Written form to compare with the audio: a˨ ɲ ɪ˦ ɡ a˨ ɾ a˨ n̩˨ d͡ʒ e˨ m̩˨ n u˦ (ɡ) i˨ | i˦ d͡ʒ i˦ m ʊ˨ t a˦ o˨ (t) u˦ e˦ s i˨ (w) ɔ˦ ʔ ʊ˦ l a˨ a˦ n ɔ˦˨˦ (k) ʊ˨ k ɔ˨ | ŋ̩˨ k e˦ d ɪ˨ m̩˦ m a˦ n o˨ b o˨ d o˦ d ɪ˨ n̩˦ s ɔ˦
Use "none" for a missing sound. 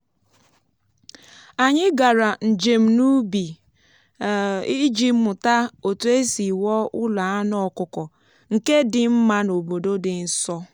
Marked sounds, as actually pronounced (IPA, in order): b, t, w, k

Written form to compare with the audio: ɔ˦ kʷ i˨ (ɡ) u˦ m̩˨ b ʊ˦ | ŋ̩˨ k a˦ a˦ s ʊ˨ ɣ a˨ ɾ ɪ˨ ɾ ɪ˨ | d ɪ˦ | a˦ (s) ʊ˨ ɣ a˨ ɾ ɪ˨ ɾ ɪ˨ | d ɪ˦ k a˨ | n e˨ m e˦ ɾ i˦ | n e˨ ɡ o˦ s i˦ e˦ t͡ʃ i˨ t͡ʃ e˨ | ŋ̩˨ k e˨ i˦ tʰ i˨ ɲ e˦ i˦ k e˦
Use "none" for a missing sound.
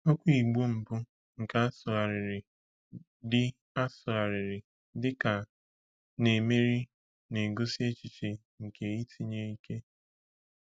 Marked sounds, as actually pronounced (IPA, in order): ɡ͡b, s

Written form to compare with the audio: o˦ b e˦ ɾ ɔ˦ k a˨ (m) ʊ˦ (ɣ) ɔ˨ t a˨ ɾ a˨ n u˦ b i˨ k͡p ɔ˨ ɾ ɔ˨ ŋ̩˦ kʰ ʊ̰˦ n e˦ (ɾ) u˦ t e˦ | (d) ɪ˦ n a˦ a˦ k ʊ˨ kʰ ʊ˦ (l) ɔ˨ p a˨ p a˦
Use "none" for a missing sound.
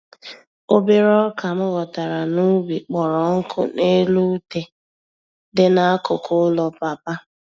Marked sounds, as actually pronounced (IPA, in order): m, ɣ, l, d, l

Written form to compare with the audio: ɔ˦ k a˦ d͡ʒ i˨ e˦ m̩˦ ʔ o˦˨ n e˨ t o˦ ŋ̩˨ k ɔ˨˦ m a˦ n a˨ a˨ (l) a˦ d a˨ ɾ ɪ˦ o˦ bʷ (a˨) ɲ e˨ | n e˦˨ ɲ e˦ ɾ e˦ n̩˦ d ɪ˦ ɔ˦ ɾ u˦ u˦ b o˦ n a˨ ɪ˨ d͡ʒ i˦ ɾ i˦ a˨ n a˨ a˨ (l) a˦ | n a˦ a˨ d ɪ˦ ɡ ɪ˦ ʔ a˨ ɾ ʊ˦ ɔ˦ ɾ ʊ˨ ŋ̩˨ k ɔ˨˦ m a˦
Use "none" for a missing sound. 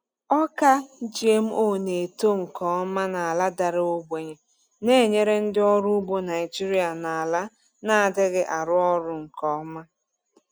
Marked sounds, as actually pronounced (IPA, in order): l, e˨, l

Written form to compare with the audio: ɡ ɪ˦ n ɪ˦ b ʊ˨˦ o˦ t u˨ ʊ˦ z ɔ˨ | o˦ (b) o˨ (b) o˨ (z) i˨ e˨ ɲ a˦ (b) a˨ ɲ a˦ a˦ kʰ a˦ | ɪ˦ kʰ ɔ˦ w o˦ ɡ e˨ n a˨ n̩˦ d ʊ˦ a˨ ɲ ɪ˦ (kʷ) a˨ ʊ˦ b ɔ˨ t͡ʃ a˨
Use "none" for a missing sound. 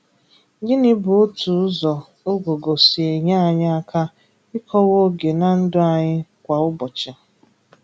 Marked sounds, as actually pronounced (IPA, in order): ɡ, ɡ, s, none, kʷ

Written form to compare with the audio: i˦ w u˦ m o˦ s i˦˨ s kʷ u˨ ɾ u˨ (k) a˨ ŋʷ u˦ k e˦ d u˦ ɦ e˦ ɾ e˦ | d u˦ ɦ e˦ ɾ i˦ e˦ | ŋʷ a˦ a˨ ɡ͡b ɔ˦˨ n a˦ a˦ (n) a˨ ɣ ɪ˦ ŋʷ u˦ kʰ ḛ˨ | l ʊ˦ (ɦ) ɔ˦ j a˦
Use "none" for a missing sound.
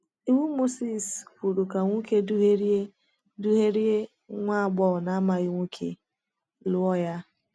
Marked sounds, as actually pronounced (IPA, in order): k, m, none

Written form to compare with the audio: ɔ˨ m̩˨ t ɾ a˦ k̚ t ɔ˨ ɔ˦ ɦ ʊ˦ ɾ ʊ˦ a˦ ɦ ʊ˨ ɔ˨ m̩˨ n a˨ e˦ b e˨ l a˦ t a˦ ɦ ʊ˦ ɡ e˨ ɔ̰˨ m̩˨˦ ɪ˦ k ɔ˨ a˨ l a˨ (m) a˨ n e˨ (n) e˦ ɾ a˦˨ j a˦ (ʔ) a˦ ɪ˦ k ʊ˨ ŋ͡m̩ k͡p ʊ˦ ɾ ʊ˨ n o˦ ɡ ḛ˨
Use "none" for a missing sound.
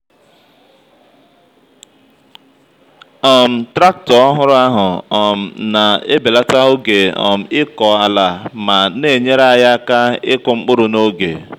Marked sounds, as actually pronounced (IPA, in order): m, ɲ, k

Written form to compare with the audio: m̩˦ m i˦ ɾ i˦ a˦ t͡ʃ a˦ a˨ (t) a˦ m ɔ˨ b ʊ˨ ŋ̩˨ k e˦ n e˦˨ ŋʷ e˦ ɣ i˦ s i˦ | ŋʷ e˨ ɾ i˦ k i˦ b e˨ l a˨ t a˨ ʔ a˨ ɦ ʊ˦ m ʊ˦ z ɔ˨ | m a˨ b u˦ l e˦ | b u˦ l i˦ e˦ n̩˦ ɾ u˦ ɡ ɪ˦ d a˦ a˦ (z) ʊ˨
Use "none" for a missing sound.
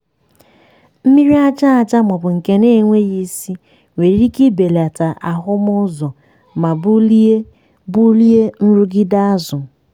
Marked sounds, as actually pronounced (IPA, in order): t͡ʃ, z

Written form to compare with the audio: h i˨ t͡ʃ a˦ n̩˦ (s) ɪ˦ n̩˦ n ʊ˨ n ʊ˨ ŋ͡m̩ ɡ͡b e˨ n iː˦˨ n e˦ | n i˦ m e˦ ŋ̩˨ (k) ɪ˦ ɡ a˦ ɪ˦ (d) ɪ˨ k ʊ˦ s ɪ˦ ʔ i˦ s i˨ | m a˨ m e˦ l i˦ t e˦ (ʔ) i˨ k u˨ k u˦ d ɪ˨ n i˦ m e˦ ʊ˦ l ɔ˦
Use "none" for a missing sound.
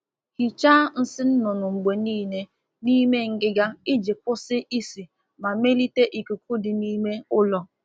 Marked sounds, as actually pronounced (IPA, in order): s, ɡ, d͡ʒ, ʔ

